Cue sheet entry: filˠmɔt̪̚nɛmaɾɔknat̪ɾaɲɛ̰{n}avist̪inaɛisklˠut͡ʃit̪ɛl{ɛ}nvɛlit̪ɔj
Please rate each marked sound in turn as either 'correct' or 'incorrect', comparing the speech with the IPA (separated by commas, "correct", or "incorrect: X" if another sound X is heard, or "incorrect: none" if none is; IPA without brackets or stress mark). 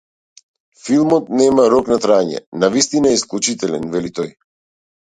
correct, correct